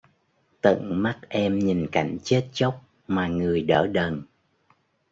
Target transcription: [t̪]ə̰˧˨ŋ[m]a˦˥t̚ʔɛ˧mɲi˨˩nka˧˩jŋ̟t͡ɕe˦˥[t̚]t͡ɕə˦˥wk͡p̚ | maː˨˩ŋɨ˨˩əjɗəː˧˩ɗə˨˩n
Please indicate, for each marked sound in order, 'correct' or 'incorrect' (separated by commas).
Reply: correct, correct, correct